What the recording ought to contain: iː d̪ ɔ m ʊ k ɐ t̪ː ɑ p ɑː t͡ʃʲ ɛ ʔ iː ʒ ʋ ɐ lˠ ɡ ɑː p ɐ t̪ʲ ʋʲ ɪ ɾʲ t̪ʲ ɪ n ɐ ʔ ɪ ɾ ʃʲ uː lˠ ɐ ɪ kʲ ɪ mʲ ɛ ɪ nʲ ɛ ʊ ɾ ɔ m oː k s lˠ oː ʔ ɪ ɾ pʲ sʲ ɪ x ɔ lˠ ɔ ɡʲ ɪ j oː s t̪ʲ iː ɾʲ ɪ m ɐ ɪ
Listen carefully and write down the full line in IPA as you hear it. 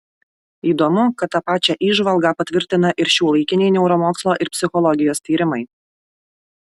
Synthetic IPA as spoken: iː d̪ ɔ m ʊ k ɐ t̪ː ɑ p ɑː t͡ʃʲ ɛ ʔ iː ʒ ʋ ɐ lˠ ɡ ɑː p ɐ t̪ʲ ʋʲ ɪ ɾʲ t̪ʲ ɪ n ɐ ʔ ɪ ɾ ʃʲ uː lˠ ɐ ɪ kʲ ɪ nʲ ɛ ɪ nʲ ɛ ʊ ɾ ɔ m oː k s lˠ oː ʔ ɪ ɾ pʲ sʲ ɪ x ɔ lˠ ɔ ɡʲ ɪ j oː s t̪ʲ iː ɾʲ ɪ m ɐ ɪ

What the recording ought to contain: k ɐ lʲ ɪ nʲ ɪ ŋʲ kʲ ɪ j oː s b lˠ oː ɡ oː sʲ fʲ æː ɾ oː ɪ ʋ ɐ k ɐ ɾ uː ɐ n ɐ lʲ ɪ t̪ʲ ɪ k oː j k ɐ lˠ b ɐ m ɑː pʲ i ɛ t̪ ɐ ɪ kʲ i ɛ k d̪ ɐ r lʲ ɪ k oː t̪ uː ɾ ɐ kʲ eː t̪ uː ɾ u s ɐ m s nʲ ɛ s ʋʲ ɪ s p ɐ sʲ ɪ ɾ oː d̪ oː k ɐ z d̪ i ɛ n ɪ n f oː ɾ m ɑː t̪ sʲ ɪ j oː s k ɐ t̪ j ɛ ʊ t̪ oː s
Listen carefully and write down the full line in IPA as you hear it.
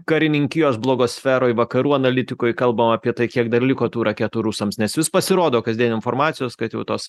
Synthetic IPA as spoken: k ɐ ɾʲ ɪ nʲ ɪ ŋʲ kʲ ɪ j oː s b lˠ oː ɡ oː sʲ fʲ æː ɾ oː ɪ ʋ ɐ k ɐ ɾ uː ɐ n ɐ lʲ ɪ t̪ʲ ɪ k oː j k ɐ lˠ b ɐ m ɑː pʲ i ɛ t̪ ɐ ɪ kʲ i ɛ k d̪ ɐ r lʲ ɪ k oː t̪ uː ɾ ɐ kʲ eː t̪ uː ɾ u s ɐ m s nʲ ɛ s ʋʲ ɪ s p ɐ sʲ ɪ ɾ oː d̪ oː k ɐ z d̪ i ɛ n ɪ n f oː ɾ m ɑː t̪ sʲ ɪ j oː s k ɐ t̪ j ɛ ʊ t̪ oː s

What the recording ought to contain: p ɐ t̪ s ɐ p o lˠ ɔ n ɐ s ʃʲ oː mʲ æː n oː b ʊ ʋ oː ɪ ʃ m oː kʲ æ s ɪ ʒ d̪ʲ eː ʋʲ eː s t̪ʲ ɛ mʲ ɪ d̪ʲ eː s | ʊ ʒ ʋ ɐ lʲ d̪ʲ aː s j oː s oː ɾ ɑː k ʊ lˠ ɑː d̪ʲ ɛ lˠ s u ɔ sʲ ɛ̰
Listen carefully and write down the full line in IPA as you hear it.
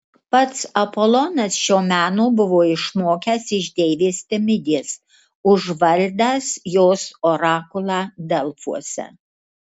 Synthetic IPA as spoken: p ɐ t̪ s ɐ p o lˠ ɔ n ɐ s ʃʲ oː mʲ æː n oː b ʊ ʋ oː ɪ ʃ m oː kʲ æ s ɪ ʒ d̪ʲ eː ʋʲ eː s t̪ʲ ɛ mʲ ɪ d̪ʲ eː s | ʊ ʒ ʋ ɐ lʲ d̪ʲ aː s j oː s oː ɾ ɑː k ʊ lˠ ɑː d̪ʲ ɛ lˠ f u ɔ sʲ ɛ̰

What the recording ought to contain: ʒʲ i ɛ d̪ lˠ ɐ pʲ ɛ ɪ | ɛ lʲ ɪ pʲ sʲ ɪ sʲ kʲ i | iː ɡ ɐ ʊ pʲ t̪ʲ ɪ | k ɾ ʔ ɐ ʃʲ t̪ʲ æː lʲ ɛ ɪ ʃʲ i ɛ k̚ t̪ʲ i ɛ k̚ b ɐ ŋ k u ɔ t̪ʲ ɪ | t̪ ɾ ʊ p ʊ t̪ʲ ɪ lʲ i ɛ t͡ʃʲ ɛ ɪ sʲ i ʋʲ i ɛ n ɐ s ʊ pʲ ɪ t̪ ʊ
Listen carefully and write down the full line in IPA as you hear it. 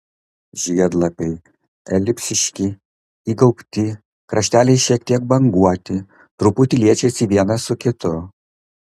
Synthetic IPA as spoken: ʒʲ i ɛ d̪ lˠ ɐ pʲ ɛ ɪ | ɛ lʲ ɪ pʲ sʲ ɪ ʃʲ kʲ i | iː ɡ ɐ ʊ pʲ t̪ʲ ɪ | k ɾ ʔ ɐ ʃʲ t̪ʲ æː lʲ ɛ ɪ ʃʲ i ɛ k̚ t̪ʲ i ɛ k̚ b ɐ ŋ ɡ u ɔ t̪ʲ ɪ | t̪ ɾ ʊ p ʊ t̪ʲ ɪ lʲ i ɛ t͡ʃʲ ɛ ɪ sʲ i ʋʲ i ɛ n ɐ s ʊ kʲ ɪ t̪ ʊ

